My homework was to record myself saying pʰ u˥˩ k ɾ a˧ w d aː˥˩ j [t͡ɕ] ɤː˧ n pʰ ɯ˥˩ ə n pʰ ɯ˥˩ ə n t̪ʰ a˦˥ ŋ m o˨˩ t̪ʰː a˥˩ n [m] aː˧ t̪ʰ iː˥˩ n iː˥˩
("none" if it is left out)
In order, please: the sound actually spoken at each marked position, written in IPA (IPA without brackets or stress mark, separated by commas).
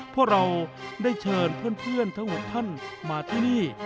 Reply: t͡ɕʰ, m